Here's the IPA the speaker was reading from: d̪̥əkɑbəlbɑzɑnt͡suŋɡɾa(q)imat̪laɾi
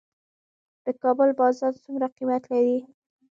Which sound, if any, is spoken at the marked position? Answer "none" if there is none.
q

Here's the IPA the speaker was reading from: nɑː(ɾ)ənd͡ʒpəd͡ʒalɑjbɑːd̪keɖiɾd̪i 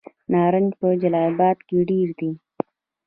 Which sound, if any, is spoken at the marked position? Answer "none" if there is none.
ɾ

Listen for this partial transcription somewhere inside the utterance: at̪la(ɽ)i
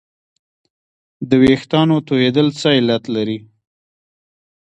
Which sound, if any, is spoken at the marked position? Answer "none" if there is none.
ɾ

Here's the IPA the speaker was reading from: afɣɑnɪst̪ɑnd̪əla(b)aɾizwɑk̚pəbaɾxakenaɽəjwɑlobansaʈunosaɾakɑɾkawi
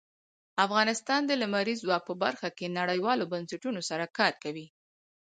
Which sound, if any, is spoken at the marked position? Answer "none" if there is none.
m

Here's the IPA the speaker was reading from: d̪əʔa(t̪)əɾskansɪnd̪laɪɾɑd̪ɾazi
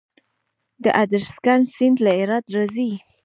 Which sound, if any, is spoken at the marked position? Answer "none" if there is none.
d̪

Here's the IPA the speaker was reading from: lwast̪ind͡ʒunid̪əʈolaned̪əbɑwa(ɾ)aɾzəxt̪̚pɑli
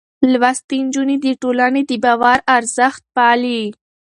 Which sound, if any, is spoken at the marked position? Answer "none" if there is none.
ɾ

